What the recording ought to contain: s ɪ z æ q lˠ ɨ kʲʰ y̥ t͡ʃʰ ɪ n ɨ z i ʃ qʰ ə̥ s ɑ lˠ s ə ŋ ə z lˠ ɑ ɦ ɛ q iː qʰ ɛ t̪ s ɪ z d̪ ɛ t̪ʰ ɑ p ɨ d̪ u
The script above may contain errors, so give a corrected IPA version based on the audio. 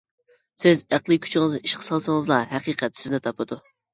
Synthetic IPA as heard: s ɪ z æ q lˠ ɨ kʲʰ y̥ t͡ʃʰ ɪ ŋ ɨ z i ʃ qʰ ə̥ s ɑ lˠ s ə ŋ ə z lˠ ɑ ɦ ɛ q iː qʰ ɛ t̪ s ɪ z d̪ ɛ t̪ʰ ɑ p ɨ d̪ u